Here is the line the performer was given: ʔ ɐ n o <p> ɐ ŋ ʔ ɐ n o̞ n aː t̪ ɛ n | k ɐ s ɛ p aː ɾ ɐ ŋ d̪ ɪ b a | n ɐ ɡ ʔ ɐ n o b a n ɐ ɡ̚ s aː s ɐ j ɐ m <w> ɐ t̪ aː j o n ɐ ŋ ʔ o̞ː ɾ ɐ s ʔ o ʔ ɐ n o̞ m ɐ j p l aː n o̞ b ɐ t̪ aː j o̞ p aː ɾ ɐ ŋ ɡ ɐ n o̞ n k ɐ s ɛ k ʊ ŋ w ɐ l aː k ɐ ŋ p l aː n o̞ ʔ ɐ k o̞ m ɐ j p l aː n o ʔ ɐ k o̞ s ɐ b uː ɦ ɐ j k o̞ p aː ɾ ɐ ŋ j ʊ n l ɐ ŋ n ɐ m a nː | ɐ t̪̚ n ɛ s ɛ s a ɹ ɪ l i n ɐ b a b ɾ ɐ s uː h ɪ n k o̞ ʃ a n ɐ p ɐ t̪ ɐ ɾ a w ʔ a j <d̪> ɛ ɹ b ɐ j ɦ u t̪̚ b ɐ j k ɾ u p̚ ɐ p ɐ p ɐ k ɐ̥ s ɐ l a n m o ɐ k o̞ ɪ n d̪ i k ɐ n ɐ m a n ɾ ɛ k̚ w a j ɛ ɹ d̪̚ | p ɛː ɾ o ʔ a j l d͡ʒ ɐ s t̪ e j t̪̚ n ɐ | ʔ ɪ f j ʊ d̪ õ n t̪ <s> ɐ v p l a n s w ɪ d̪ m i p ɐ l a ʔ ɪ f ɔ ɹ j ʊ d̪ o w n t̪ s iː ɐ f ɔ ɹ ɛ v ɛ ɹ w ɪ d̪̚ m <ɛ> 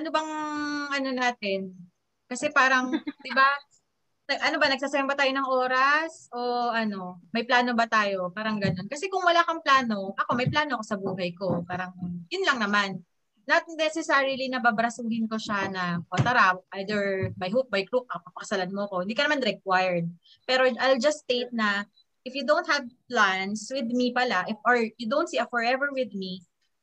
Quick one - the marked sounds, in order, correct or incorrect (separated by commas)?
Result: incorrect, incorrect, correct, incorrect, incorrect